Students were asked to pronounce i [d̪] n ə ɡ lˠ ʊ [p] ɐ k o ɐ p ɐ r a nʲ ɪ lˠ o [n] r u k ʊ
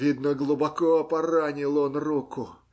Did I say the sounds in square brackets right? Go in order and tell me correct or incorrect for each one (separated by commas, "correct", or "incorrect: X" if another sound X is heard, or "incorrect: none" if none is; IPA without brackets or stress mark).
correct, incorrect: b, correct